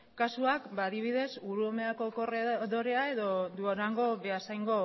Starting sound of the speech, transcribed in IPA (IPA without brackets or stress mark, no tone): k